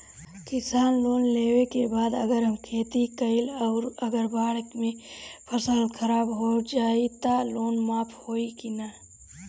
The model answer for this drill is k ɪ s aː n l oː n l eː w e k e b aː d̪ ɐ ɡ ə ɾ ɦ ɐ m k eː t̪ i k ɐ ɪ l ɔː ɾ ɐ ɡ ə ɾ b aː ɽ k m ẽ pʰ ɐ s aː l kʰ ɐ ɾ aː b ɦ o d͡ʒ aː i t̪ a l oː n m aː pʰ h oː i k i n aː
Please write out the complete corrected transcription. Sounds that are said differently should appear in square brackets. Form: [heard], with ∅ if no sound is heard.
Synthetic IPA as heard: k ɪ s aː n l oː n l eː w e k e b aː d̪ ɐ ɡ ə ɾ ɦ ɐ m [kʰ] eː t̪ i k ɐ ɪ l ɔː ɾ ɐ ɡ ə ɾ b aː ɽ k m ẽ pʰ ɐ s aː l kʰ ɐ ɾ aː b ɦ o d͡ʒ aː i t̪ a l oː n m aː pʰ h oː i k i n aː